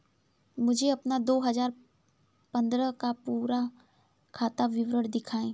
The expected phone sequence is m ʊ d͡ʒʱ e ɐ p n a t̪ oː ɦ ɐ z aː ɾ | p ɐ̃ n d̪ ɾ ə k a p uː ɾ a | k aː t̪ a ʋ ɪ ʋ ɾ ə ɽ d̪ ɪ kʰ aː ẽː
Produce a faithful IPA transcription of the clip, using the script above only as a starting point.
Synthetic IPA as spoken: m ʊ d͡ʒʱ e ɐ p n a d̪ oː ɦ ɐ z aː ɾ | p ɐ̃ n d̪ ɾ ə k a p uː ɾ a | kʰ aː t̪ a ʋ ɪ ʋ ɾ ə ɽ d̪ ɪ kʰ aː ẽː